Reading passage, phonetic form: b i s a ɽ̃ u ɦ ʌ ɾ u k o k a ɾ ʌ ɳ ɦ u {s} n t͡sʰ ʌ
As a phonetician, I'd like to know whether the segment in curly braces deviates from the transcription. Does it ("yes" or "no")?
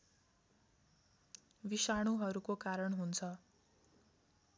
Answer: yes